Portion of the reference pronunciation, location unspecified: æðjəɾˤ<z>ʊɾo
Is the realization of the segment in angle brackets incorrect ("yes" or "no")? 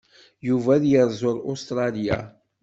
no